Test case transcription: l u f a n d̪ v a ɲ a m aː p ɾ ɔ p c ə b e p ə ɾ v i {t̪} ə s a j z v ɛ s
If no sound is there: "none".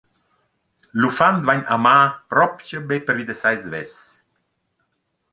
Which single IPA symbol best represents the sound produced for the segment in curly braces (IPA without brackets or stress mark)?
d̪